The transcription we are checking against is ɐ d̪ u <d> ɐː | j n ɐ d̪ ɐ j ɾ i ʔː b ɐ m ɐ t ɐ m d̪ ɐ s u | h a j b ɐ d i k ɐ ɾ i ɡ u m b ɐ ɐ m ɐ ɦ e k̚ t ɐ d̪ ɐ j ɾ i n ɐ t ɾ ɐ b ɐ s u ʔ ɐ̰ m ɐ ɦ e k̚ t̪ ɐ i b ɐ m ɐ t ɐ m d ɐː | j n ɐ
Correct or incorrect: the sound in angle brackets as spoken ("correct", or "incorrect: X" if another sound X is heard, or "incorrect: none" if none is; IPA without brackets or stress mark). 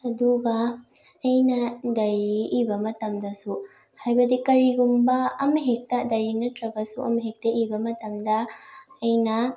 incorrect: ɡ